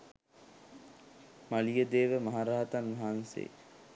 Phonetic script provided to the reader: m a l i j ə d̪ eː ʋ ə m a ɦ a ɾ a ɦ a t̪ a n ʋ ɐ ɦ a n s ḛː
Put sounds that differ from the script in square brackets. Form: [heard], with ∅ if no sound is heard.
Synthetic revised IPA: m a l i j ə d̪ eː ʋ ə m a ɦ a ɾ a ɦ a t̪ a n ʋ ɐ ɦ a n s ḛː